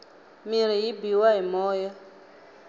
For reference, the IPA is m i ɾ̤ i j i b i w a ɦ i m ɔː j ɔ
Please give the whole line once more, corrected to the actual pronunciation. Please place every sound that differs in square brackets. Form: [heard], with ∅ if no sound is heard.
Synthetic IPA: m i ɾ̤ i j i b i w a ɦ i m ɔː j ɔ